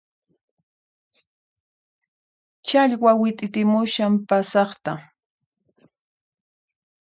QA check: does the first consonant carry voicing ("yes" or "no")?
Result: no